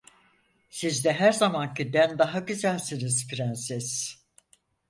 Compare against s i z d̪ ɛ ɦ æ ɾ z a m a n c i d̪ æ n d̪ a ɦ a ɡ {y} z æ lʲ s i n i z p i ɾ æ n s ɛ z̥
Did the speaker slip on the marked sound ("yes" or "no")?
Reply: no